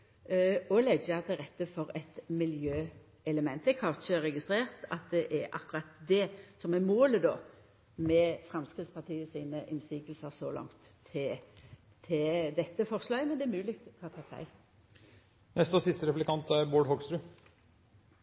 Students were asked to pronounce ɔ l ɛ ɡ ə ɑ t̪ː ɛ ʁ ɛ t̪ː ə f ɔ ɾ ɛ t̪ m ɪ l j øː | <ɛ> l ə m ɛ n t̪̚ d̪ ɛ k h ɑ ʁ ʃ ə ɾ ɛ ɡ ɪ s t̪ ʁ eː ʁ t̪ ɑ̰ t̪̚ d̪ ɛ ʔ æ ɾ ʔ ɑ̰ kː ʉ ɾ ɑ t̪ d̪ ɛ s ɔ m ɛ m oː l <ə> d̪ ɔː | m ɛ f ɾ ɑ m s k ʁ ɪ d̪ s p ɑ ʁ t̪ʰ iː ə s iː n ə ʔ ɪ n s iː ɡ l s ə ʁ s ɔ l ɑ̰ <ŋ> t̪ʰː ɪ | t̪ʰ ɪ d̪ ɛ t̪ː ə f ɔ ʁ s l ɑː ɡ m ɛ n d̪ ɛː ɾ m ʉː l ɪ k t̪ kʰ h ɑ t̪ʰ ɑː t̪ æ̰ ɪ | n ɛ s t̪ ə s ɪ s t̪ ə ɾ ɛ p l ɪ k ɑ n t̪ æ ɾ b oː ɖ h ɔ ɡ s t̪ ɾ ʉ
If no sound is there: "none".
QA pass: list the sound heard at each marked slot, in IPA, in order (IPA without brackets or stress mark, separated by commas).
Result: ɛ, ə, ŋ